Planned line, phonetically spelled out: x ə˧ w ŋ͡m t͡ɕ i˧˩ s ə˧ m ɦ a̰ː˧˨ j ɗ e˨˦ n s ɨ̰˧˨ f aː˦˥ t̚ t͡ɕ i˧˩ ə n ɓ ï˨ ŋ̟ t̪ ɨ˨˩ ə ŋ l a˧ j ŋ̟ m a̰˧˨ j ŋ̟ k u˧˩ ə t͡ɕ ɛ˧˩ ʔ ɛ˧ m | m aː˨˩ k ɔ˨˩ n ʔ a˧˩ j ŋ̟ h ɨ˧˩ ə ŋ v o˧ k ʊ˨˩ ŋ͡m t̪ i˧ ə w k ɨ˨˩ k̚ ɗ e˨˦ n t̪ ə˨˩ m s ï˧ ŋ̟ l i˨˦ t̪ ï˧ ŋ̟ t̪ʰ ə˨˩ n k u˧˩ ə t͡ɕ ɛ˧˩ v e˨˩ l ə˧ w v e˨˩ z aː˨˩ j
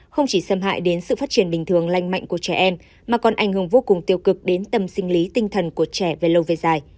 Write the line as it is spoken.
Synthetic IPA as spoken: x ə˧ w ŋ͡m t͡ɕ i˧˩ s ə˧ m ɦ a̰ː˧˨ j ɗ e˨˦ n s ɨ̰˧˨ f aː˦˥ t̚ t͡ɕ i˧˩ ə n ɓ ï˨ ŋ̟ t̪ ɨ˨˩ ə ŋ l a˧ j ŋ̟ m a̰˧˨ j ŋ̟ k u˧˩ ə t͡ɕ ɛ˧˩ ʔ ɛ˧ m | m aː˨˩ k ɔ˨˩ n ʔ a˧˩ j ŋ̟ h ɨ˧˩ ə ŋ v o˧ k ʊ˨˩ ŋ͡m t̪ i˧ ə w k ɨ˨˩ k̚ ɗ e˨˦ n t̪ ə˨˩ m s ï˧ ŋ̟ l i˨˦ t̪ ï˧ ŋ̟ t̪ʰ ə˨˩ n k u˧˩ ə t͡ɕ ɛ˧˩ v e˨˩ l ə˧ w v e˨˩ z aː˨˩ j